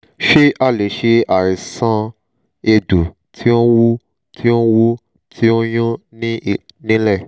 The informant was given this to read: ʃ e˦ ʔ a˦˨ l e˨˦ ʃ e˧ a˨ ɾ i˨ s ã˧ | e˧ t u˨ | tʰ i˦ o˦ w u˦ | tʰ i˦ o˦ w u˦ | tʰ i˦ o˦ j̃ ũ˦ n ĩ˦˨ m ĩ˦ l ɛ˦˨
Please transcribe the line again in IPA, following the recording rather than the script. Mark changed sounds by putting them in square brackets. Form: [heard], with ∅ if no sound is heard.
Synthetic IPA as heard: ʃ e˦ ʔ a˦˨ l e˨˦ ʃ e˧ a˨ ɾ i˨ s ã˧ | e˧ [d] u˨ | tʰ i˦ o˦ w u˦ | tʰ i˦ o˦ w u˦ | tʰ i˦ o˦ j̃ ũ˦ n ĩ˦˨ [n] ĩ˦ l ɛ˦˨

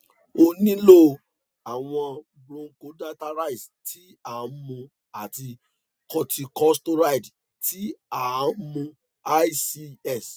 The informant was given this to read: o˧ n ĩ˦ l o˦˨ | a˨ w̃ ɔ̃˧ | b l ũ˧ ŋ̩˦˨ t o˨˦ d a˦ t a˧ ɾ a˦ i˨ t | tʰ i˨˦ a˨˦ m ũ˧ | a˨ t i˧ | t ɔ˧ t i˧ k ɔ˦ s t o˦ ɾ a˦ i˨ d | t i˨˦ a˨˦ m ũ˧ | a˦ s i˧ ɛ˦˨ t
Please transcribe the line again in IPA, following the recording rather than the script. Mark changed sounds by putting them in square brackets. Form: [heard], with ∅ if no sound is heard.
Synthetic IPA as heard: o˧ n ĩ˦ l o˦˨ | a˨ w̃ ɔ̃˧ | b [ɾ] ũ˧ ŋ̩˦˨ [k] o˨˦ d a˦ t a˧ ɾ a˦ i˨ [s] | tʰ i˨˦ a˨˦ m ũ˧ | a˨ t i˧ | [k] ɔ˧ t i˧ k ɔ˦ s t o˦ ɾ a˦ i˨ d | t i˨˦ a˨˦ m ũ˧ | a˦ s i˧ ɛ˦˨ [s]

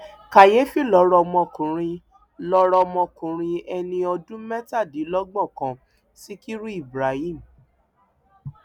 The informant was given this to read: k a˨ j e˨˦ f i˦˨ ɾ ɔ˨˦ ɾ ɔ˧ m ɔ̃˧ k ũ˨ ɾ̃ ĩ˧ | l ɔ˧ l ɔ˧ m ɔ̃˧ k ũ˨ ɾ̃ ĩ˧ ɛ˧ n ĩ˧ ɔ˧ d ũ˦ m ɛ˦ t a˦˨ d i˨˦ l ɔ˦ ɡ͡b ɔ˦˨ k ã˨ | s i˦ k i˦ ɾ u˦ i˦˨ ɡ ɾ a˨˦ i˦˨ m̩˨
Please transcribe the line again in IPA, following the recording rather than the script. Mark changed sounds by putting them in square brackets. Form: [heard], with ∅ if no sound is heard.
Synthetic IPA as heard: k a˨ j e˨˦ f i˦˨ [l] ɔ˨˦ ɾ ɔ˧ m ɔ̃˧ k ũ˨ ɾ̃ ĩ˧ | l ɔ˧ [ɾ] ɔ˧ m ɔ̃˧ k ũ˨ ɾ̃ ĩ˧ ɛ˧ n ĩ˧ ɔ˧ d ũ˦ m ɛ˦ t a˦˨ d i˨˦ l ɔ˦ ɡ͡b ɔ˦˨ k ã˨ | s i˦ k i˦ ɾ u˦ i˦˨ [b] ɾ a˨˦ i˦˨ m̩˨

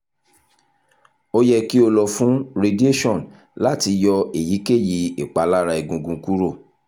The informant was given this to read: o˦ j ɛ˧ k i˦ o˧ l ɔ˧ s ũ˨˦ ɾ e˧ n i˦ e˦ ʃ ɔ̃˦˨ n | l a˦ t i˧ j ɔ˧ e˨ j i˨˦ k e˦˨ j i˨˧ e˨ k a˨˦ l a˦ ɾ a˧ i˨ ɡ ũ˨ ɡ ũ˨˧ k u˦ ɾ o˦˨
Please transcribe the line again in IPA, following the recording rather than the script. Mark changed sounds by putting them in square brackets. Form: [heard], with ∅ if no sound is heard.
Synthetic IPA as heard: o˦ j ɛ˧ k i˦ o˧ l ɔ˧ [f] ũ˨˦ ɾ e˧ [d] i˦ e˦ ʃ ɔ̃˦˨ n | l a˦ t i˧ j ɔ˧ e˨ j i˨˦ k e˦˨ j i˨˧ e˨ [k͡p] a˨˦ l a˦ ɾ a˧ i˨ ɡ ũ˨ ɡ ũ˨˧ k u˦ ɾ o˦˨

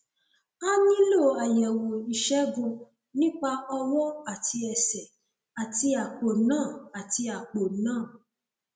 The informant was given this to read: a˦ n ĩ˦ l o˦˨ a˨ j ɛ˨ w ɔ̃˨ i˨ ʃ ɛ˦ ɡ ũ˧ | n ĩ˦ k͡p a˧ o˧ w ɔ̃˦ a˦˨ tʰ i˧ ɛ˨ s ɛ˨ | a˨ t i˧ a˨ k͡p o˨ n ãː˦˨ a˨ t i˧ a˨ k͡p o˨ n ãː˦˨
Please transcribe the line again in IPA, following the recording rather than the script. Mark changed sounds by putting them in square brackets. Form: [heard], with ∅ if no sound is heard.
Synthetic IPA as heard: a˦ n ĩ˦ l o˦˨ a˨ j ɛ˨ w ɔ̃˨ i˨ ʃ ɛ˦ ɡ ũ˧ | n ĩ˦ k͡p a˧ [ɔ˧] w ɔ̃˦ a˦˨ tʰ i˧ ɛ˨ s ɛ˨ | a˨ t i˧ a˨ k͡p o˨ n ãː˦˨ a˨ t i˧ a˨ k͡p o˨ n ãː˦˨

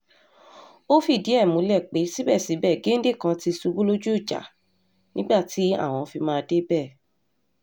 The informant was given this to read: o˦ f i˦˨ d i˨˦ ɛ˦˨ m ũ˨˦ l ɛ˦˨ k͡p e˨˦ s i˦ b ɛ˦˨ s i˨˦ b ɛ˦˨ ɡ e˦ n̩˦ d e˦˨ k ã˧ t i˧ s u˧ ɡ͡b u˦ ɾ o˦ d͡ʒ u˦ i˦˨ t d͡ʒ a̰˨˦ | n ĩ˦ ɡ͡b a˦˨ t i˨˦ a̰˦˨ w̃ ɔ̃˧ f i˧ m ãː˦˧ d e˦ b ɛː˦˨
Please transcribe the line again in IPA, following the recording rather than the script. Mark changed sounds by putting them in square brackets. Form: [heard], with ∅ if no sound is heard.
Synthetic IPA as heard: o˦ f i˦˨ d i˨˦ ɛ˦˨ m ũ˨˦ l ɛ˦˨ k͡p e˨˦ s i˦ b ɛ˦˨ s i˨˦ b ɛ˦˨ ɡ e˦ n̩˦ d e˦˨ k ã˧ t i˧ s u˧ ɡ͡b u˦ [l] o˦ d͡ʒ u˦ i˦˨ [∅] d͡ʒ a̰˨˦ | n ĩ˦ ɡ͡b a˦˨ t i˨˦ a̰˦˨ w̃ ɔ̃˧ f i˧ m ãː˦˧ d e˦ b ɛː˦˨

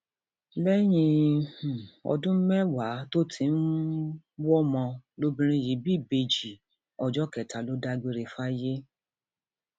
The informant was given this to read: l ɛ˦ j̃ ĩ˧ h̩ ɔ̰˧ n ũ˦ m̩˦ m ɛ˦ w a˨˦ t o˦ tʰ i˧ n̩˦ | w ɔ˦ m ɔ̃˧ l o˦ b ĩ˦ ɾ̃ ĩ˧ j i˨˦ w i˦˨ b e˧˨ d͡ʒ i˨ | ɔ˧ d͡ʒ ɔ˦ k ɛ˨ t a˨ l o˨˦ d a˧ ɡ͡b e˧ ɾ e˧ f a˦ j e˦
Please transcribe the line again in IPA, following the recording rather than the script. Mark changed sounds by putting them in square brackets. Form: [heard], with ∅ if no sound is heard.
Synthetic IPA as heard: l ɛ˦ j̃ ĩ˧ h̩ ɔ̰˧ [d] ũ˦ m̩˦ m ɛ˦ w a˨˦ t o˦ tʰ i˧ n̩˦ | w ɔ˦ m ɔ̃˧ l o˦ b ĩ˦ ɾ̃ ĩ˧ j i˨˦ [b] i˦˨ b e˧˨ d͡ʒ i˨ | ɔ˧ d͡ʒ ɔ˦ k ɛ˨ t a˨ l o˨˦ d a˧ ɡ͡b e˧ ɾ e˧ f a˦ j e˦

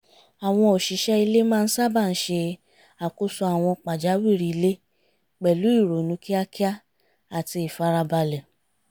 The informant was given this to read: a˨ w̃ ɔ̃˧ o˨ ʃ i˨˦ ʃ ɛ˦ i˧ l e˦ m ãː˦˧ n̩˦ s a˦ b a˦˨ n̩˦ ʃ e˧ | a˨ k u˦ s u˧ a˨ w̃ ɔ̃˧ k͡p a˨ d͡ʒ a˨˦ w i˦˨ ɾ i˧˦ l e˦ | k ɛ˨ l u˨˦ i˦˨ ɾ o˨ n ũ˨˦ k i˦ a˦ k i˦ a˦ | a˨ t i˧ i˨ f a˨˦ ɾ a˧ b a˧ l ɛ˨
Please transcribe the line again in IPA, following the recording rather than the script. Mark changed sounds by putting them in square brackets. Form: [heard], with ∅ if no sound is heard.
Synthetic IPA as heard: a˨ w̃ ɔ̃˧ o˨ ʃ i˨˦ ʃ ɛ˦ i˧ l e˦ m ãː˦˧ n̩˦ s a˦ b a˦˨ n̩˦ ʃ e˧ | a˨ k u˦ s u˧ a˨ w̃ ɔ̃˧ k͡p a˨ d͡ʒ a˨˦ w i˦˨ ɾ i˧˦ l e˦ | [k͡p] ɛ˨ l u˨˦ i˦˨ ɾ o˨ n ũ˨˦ k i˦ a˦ k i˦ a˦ | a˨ t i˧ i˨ f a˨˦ ɾ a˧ b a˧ l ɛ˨

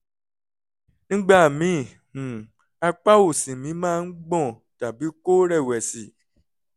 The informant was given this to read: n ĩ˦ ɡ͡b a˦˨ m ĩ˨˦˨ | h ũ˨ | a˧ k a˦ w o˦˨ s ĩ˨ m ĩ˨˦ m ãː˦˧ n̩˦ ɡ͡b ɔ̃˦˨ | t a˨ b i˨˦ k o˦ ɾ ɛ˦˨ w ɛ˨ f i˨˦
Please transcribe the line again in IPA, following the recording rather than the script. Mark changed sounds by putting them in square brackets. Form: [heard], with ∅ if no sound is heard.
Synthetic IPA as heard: n ĩ˦ ɡ͡b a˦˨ m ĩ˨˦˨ | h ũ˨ | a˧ [k͡p] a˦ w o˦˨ s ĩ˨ m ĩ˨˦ m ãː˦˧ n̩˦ ɡ͡b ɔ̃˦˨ | t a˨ b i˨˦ k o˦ ɾ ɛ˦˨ w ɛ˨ [s] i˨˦

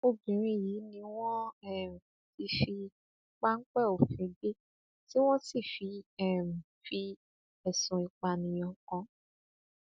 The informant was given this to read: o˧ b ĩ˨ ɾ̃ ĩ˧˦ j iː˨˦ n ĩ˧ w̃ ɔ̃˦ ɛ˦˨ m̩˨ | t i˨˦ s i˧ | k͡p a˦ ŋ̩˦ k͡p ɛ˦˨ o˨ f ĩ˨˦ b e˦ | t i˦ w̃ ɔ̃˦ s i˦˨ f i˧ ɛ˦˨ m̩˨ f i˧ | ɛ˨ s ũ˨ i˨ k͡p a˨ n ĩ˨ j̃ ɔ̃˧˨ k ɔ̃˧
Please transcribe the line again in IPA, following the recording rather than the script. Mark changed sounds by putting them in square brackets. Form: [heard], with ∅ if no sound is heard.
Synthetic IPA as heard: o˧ b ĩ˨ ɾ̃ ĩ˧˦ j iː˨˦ n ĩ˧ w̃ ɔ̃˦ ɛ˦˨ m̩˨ | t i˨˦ [f] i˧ | k͡p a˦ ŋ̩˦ k͡p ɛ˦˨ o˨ f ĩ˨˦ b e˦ | t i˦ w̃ ɔ̃˦ s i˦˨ f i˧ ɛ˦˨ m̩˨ f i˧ | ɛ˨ s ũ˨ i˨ k͡p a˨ n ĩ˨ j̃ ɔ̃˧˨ k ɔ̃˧

